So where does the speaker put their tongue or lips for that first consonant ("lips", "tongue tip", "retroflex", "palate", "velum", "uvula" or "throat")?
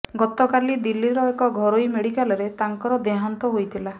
velum